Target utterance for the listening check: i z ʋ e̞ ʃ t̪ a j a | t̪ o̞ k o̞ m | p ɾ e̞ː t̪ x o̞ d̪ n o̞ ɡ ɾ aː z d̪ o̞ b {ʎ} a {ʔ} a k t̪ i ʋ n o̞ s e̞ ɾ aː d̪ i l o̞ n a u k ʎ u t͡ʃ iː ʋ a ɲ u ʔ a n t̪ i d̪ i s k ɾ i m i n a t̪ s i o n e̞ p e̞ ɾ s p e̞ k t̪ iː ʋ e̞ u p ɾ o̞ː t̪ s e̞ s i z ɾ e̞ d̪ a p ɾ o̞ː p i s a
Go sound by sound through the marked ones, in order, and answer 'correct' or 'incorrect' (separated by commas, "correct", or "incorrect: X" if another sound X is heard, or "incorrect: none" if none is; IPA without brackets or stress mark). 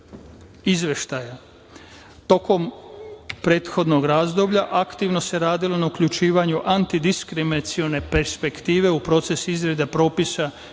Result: correct, correct